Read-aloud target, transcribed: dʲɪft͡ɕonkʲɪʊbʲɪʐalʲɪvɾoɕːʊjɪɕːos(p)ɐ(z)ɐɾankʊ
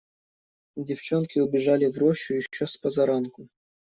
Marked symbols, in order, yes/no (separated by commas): yes, yes